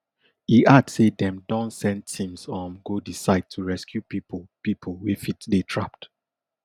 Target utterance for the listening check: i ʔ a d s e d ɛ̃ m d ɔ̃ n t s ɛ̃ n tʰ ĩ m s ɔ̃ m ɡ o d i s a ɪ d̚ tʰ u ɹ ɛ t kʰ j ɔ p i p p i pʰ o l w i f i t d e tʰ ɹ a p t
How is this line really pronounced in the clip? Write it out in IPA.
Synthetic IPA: i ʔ a d s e d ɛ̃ m d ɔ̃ n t s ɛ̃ n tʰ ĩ m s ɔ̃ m ɡ o d i s a ɪ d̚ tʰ u ɹ ɛ s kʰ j u p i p p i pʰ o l w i f i t d e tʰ ɹ a p t